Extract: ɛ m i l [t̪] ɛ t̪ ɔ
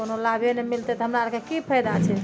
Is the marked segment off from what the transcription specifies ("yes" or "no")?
no